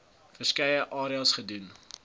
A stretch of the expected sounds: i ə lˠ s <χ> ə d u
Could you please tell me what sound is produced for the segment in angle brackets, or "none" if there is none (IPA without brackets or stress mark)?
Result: χ